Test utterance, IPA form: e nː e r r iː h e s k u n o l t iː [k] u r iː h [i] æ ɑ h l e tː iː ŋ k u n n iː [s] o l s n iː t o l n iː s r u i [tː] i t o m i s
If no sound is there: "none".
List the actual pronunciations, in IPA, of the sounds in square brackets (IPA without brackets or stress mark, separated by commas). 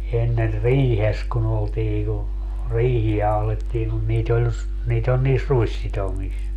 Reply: k, i, t, sː